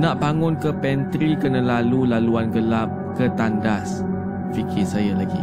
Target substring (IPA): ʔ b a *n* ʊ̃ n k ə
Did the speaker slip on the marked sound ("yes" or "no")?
yes